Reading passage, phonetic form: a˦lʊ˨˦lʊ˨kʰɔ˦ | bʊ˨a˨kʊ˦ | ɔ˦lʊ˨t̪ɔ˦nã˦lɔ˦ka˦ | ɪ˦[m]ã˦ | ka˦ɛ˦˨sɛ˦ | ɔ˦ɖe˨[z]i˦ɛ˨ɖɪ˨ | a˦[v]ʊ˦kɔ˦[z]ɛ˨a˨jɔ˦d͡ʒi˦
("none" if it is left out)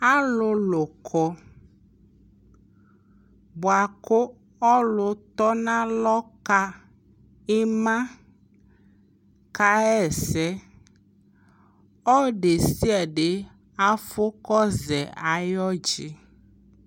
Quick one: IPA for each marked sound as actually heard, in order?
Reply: m, s, f, z

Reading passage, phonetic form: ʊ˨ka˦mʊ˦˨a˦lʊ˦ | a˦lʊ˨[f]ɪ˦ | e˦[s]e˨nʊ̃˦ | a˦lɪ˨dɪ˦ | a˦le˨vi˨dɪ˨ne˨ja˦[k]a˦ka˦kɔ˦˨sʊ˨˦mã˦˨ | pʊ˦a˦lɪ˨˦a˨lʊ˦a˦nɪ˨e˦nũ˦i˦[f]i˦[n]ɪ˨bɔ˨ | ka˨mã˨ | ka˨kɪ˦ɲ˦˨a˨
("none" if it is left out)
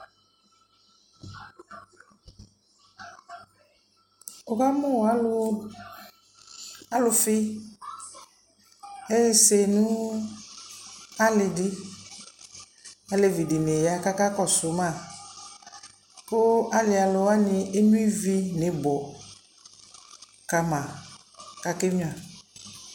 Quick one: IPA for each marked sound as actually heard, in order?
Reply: f, s, k, v, n

